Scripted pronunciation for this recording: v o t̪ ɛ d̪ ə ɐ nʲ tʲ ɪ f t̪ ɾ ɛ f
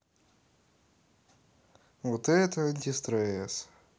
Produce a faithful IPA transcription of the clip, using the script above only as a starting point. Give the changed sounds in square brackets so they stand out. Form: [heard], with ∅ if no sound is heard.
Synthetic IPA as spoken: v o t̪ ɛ [t̪] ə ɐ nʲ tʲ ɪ [s] t̪ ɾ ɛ [s]